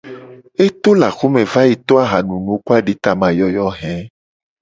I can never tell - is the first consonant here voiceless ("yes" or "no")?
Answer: yes